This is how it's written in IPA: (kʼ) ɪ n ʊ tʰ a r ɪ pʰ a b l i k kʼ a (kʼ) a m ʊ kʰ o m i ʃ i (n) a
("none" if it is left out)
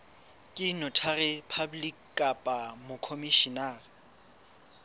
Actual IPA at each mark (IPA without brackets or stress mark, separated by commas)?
kʼ, pʼ, n